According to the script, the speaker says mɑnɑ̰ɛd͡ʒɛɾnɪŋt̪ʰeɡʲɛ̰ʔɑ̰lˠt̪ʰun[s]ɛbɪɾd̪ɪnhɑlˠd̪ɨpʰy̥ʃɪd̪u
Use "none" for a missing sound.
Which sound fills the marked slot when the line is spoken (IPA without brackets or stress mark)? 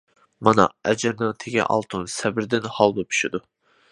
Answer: s